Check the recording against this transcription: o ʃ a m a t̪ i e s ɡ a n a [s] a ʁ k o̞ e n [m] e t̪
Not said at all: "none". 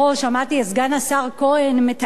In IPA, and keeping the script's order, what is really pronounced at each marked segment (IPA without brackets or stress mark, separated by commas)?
s, m